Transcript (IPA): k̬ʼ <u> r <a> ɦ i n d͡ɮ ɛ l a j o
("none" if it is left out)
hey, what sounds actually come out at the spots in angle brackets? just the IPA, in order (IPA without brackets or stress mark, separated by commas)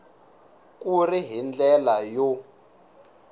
u, i